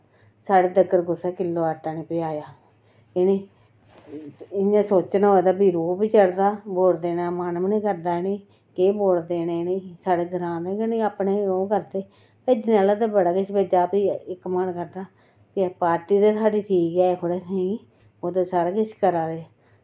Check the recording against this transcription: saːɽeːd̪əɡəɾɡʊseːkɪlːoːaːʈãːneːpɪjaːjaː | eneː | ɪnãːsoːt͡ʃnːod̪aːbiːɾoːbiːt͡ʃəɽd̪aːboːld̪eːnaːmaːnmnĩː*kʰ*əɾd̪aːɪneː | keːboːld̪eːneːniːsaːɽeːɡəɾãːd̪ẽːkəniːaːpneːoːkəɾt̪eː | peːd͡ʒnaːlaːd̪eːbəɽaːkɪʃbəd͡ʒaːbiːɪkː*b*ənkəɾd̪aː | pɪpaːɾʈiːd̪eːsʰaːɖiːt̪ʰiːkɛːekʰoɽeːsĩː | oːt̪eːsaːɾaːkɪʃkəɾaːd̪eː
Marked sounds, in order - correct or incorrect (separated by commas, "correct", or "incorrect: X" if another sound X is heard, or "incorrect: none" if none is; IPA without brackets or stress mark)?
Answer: incorrect: k, incorrect: m